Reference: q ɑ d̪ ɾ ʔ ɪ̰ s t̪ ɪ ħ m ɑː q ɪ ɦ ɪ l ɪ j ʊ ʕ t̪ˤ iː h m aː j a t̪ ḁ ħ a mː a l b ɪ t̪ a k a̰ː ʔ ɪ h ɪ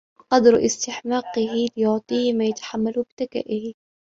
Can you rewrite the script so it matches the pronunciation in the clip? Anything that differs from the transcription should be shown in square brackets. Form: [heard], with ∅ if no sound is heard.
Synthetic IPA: q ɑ d̪ ɾ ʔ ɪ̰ s t̪ ɪ ħ m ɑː q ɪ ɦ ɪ l ɪ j ʊ ʕ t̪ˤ iː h m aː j a t̪ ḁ ħ a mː a l b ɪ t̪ a k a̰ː ʔ ɪ h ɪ